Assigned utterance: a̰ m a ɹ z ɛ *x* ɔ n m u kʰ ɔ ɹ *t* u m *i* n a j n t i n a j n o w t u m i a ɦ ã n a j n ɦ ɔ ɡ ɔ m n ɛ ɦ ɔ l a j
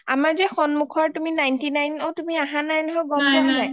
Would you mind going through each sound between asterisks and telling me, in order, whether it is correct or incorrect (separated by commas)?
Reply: correct, correct, correct